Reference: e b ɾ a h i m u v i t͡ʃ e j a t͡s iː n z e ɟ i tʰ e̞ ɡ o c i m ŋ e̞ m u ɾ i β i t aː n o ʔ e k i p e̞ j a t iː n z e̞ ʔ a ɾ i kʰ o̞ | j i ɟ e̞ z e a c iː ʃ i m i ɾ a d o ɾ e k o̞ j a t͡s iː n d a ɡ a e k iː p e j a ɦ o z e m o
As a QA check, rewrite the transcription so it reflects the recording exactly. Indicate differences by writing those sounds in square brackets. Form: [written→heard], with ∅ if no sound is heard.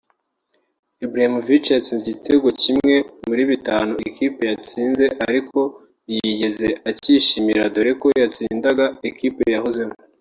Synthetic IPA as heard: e b ɾ a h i m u v i t͡ʃ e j a t͡s iː n z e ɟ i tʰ e̞ ɡ o c i m ŋ e̞ m u ɾ i β i t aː n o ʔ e k i p e̞ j a [t→t͡s] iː n z e̞ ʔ a ɾ i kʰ o̞ | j i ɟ e̞ z e a c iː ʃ i m i ɾ a d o ɾ e k o̞ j a t͡s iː n d a ɡ a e k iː p e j a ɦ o z e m o